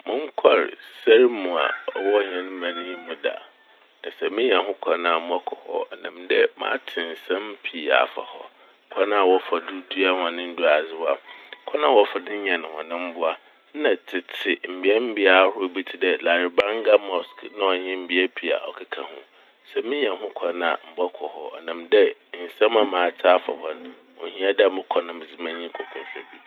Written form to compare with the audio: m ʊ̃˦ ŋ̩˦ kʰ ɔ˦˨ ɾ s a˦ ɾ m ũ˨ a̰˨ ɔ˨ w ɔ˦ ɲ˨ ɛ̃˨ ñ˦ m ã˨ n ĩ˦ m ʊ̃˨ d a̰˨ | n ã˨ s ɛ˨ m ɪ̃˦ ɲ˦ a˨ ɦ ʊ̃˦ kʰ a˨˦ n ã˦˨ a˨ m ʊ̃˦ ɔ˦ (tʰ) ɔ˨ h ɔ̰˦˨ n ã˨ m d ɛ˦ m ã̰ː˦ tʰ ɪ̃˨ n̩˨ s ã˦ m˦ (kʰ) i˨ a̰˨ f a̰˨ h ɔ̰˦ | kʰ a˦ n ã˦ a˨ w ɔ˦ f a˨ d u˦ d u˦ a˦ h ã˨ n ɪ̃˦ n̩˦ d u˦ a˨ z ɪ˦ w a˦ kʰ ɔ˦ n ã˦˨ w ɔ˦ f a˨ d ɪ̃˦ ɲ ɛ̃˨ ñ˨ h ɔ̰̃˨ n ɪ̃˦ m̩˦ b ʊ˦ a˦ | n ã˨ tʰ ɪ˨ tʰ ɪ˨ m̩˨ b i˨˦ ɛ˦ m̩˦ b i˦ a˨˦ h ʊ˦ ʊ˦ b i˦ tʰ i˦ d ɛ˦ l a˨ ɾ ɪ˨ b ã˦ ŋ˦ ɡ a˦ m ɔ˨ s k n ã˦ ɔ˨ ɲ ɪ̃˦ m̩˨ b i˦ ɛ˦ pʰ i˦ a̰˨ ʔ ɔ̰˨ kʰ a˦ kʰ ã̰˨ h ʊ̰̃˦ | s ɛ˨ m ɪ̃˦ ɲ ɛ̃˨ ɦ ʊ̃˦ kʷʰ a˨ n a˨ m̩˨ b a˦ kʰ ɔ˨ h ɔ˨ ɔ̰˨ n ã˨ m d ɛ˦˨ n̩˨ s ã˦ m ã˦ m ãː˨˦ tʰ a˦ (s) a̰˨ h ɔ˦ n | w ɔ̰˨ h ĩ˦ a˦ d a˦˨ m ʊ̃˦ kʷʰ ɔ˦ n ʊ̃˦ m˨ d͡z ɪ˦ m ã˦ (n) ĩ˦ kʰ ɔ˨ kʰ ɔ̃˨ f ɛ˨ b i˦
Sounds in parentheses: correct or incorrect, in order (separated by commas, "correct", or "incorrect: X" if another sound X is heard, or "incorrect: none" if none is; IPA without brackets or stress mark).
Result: incorrect: kʰ, incorrect: pʰ, incorrect: f, incorrect: ɲ